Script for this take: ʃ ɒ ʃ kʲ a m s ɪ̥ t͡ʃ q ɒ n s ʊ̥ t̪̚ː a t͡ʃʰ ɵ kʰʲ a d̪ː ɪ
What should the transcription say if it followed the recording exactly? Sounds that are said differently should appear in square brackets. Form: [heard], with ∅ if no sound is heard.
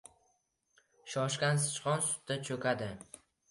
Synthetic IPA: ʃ ɒ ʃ kʲ a [n] s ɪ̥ t͡ʃ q ɒ n s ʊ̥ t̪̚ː a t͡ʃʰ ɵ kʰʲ a [d̪] ɪ